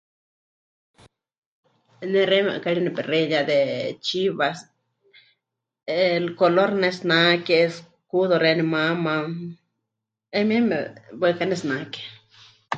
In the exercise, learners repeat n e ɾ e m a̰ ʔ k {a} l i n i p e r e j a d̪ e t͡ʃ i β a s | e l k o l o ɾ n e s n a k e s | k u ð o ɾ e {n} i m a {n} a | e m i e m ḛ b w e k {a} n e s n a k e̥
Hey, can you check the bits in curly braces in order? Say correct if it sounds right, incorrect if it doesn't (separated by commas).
correct, correct, incorrect, correct